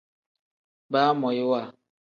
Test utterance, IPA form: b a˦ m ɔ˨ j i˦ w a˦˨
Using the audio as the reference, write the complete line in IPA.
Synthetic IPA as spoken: b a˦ m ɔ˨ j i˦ w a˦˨